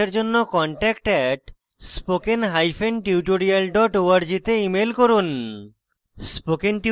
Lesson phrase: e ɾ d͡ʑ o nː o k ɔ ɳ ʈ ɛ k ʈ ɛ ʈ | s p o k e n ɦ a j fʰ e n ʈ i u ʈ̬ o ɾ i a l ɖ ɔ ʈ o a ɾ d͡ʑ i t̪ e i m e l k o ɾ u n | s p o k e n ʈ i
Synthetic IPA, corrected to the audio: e ɾ d͡ʑ o nː o k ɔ ɳ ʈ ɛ k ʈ ɛ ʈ | s p o k e n ɦ a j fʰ e n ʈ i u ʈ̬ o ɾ i a l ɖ ɔ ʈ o a ɾ d͡ʑ i t̪ e i m e l k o ɾ u n | s p o k e n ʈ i